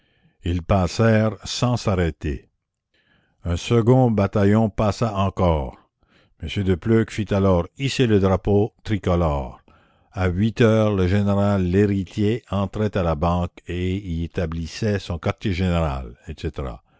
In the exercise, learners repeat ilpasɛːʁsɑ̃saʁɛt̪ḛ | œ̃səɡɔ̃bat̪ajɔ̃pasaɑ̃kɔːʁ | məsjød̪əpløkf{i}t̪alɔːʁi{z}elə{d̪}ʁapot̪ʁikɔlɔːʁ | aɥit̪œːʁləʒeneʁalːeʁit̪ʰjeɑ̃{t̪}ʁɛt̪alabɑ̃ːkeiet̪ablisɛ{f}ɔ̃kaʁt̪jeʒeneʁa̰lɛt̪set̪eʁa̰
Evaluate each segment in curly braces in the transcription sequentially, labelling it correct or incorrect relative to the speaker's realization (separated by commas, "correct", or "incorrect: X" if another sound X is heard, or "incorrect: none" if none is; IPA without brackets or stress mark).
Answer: correct, incorrect: s, correct, correct, incorrect: s